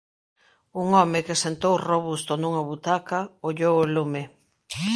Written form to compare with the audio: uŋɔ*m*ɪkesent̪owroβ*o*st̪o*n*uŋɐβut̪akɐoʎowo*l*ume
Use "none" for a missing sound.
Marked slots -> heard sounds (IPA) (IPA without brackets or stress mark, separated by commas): m, u, n, l